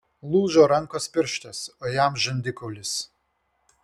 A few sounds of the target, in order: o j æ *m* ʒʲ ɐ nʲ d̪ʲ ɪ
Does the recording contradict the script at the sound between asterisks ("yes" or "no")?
no